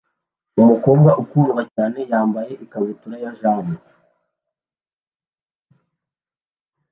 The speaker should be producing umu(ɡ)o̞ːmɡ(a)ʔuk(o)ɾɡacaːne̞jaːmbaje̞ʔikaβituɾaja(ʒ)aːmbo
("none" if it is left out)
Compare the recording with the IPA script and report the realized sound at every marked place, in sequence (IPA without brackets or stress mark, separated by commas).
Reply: k, a, u, ʒ